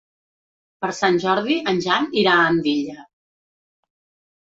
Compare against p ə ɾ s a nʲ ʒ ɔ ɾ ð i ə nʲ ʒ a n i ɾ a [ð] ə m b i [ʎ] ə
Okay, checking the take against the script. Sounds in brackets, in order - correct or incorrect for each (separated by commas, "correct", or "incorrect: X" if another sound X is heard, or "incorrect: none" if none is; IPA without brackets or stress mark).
incorrect: none, correct